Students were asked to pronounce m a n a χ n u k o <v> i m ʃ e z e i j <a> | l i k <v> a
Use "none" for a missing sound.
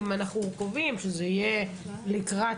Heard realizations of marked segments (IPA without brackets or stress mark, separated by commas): v, e, ʁ